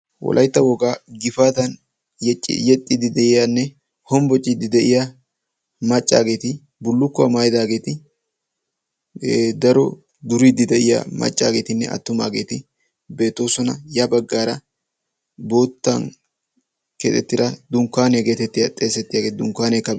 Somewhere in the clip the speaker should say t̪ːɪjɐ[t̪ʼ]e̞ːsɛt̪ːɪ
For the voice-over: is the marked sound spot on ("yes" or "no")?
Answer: yes